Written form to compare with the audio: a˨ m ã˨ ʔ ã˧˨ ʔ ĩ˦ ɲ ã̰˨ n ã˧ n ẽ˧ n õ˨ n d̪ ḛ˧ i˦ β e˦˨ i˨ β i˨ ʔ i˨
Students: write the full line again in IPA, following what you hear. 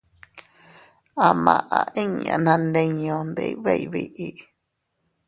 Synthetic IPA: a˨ m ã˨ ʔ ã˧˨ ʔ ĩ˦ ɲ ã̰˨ n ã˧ n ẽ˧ ɲ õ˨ n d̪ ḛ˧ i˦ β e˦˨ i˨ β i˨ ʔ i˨